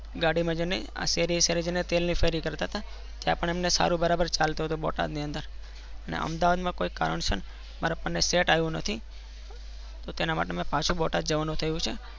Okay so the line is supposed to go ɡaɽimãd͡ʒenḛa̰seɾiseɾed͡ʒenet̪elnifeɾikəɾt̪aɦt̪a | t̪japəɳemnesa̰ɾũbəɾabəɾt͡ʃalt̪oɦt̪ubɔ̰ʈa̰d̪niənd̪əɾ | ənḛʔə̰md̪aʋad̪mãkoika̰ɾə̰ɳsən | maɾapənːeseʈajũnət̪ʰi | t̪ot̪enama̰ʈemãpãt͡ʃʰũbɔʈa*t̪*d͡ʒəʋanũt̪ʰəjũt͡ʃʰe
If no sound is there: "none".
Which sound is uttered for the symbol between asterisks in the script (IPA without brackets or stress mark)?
d̪